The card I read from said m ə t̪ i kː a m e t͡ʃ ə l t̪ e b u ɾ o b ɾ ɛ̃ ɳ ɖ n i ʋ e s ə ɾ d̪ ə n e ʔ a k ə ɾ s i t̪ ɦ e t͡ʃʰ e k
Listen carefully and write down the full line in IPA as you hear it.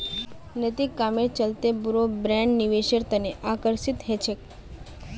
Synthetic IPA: n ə t̪ i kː a m e t͡ʃ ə l t̪ e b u ɾ o b ɾ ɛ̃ ɳ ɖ n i ʋ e ʃ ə ɾ t̪ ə n e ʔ a k ə ɾ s i t̪ ɦ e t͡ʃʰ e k